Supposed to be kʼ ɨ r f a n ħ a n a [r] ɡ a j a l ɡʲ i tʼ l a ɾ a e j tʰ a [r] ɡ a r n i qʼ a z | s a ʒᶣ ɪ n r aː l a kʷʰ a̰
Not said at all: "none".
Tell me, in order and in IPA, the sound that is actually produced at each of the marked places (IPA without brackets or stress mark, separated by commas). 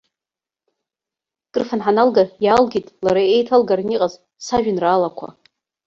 l, l